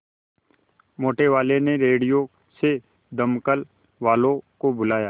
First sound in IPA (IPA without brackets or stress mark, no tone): m